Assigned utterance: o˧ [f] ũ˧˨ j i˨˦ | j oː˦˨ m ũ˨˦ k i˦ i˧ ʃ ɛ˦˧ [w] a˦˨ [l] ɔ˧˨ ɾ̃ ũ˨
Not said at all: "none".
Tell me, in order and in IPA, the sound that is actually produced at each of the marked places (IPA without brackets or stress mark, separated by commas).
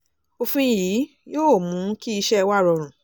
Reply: f, w, ɾ